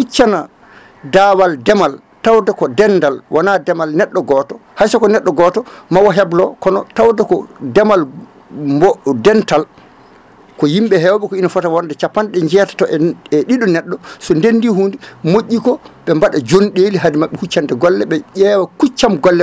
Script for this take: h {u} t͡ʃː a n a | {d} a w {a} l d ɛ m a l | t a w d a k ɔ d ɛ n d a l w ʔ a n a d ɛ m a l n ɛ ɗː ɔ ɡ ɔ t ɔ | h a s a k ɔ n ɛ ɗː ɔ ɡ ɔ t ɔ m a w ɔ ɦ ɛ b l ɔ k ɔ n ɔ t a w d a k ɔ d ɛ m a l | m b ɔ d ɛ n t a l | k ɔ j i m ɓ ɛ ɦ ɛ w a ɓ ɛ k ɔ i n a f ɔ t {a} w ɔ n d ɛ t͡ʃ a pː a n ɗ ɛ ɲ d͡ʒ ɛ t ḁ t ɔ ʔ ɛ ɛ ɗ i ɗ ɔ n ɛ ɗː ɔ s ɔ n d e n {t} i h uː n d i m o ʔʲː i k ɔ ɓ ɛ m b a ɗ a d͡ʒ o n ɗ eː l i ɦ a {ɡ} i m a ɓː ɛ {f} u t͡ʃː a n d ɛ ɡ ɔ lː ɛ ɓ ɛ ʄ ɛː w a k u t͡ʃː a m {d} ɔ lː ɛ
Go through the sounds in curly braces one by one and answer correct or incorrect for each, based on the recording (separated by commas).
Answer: correct, correct, correct, correct, incorrect, incorrect, incorrect, incorrect